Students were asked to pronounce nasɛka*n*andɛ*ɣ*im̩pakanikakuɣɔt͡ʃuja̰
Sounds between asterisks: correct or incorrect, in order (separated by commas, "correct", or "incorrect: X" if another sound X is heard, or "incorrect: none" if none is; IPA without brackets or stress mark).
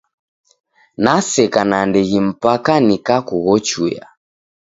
correct, correct